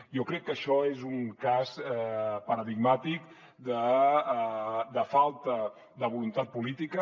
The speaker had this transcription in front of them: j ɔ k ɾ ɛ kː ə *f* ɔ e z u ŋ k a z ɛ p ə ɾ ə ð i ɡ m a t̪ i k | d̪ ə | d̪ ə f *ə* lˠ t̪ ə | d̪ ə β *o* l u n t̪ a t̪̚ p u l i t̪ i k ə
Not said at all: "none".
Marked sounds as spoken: ʃ, a, u

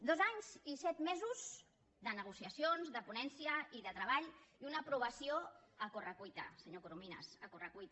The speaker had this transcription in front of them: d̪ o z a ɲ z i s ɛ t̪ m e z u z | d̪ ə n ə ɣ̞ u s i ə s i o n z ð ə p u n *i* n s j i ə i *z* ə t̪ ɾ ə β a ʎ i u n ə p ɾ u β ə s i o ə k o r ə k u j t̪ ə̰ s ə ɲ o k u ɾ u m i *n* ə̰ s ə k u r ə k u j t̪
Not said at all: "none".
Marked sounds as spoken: ɛ, ð, n

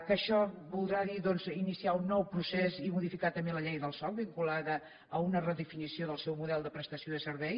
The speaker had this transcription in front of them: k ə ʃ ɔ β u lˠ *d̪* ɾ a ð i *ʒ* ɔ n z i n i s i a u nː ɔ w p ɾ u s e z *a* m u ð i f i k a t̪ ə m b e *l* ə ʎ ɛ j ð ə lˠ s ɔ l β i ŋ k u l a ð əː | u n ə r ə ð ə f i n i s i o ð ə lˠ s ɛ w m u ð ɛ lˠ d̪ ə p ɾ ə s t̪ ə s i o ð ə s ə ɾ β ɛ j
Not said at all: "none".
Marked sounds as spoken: d̪, ð, i, l

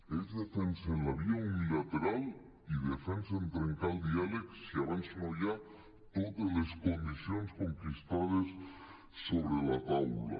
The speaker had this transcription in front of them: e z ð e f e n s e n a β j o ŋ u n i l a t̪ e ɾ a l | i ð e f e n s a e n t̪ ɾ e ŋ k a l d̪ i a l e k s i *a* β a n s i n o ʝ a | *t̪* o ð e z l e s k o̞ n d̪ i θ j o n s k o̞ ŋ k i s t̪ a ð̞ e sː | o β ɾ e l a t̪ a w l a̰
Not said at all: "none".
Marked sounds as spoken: a, t̪

